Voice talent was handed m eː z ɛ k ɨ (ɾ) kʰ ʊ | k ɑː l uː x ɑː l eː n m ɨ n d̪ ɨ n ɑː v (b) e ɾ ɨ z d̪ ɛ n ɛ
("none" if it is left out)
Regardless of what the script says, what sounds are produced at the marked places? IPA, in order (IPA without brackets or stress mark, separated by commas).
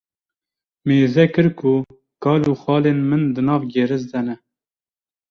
ɾ, ɡ